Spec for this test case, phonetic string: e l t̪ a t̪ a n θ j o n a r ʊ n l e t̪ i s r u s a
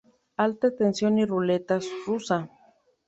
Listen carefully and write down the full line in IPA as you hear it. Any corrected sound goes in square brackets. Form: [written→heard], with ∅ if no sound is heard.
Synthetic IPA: [e→a] l t̪ a t̪ [a→e] n [θ→s] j o n [a→i] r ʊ [n→∅] l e t̪ [i→a] s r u s a

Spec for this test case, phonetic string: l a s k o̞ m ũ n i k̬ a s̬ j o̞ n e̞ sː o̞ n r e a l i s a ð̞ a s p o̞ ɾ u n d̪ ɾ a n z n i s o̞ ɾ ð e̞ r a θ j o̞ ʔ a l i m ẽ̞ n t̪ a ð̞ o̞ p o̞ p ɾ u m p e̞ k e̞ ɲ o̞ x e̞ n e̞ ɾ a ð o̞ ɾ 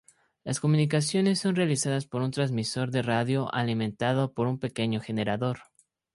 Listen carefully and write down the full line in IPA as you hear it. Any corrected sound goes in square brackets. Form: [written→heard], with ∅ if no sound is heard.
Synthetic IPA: l a s k o̞ m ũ n i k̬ a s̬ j o̞ n e̞ sː o̞ n r e a l i s a ð̞ a s p o̞ ɾ u n [d̪→t̪] ɾ a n z [n→m] i s o̞ ɾ ð e̞ r a [θ→ð] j o̞ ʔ a l i m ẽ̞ n t̪ a ð̞ o̞ p o̞ [p→∅] ɾ u m p e̞ k e̞ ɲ o̞ x e̞ n e̞ ɾ a ð o̞ ɾ

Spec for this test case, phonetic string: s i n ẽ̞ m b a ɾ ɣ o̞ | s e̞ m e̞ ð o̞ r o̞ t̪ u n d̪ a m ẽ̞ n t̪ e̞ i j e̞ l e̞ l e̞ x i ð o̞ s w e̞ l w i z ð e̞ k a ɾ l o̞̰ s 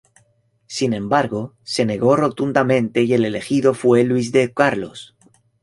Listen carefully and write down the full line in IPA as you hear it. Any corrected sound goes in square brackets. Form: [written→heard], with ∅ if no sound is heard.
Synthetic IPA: s i n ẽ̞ m b a ɾ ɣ o̞ | s e̞ [m→n] e̞ [ð→ɣ] o̞ r o̞ t̪ u n d̪ a m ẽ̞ n t̪ e̞ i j e̞ l e̞ l e̞ x i ð o̞ [s→f] w e̞ l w i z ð e̞ k a ɾ l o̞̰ s

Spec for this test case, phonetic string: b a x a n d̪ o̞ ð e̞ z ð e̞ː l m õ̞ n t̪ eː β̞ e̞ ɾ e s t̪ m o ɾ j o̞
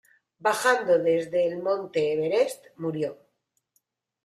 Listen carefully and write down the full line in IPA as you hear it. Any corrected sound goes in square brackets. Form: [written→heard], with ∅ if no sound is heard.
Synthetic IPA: b a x a n d̪ o̞ ð e̞ z ð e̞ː l m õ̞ n t̪ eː β̞ e̞ ɾ e s t̪ m [o→u] ɾ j o̞

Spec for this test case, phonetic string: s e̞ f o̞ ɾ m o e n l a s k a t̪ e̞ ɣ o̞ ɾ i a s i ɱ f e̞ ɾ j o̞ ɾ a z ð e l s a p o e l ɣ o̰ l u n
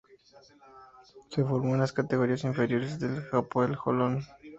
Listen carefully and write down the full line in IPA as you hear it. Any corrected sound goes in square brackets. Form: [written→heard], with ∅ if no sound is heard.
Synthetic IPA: s e̞ f o̞ ɾ m o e n l a s k a t̪ e̞ ɣ o̞ ɾ i a s i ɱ f e̞ ɾ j o̞ ɾ [a→e] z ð e l [s→x] a p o e l [ɣ→x] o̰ l [u→o] n

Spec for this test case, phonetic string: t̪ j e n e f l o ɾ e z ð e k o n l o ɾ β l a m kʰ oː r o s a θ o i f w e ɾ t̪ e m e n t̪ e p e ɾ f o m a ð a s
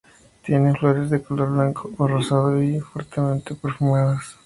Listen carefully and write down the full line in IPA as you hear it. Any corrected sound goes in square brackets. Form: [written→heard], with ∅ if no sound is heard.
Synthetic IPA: t̪ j e n e f l o ɾ e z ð e k o [n→∅] l o ɾ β l a [m→ŋ] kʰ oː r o s a [θ→ð] o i f w e ɾ t̪ e m e n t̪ e p e ɾ f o m a ð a s

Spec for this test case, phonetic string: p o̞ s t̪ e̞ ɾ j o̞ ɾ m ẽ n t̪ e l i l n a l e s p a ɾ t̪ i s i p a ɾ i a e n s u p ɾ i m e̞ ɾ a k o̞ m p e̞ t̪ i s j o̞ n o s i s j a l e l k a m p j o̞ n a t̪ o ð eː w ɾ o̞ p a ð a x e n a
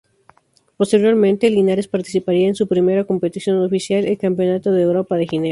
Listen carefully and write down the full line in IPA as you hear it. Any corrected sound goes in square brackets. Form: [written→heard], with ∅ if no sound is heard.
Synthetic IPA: p o̞ s t̪ e̞ ɾ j o̞ ɾ m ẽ n t̪ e l i [l→∅] n a [l→ɾ] e s p a ɾ t̪ i s i p a ɾ i a e n s u p ɾ i m e̞ ɾ a k o̞ m p e̞ t̪ i s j o̞ n o [s→f] i s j a l e l k a m p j o̞ n a t̪ o ð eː w ɾ o̞ p a ð [a→e] x [e→i] n [a→e]

